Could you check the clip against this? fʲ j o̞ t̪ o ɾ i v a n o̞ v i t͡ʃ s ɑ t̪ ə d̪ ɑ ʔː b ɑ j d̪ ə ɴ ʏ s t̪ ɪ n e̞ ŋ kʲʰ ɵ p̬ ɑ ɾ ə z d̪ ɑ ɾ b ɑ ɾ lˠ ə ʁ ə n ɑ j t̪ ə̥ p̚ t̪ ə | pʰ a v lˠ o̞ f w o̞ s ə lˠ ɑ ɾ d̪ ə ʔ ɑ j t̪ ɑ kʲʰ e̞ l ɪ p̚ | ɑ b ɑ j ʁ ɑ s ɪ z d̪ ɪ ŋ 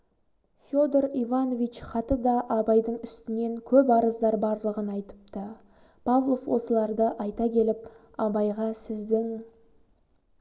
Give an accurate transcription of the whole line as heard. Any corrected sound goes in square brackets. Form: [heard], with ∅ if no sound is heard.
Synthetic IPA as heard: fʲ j o̞ [d̪] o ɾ i v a n o̞ v i t͡ʃ [χ] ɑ t̪ ə d̪ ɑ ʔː b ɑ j d̪ ə ɴ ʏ s t̪ ɪ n e̞ ŋ kʲʰ ɵ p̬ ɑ ɾ ə z d̪ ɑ ɾ b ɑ ɾ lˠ ə ʁ ə n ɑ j t̪ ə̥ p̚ t̪ ə | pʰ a v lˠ o̞ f w o̞ s ə lˠ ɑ ɾ d̪ ə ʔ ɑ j t̪ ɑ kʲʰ e̞ l ɪ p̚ | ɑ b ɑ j ʁ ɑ s ɪ z d̪ ɪ ŋ